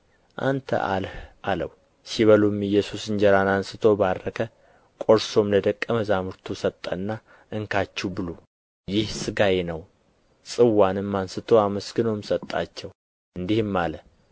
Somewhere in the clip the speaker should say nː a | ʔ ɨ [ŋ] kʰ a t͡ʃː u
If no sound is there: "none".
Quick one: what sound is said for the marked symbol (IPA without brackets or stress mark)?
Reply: ŋ